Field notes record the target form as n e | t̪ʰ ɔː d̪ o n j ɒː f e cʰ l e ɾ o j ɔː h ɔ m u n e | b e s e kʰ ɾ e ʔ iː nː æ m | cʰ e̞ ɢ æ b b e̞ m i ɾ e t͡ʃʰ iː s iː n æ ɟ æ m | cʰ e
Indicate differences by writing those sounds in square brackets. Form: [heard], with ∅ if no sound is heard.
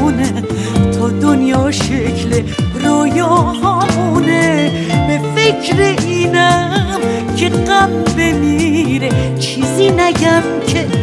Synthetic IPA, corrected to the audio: n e | t̪ʰ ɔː d̪ o n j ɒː [ʃ] e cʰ l e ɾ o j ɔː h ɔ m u n e | b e [f] e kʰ ɾ e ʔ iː [n] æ m | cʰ e̞ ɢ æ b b e̞ m i ɾ e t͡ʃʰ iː [z] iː n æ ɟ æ m | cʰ e